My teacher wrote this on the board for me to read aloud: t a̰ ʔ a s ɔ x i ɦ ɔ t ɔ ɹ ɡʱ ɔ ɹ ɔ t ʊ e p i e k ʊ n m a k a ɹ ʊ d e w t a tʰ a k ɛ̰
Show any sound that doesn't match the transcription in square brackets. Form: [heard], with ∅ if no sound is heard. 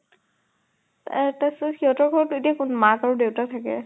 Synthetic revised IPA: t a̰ [t] a s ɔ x i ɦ ɔ t ɔ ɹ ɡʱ ɔ ɹ ɔ t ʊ e [t] i [a] k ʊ n m a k a ɹ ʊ d e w t a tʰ a k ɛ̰